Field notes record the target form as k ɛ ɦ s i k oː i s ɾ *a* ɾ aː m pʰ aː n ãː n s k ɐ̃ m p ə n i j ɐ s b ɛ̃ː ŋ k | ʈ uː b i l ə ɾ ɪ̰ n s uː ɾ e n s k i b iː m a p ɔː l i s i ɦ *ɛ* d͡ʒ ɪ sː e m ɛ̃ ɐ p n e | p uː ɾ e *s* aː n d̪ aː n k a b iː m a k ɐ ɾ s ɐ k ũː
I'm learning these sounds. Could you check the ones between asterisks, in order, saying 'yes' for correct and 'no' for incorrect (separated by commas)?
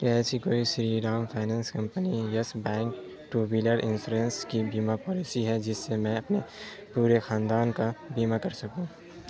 no, yes, no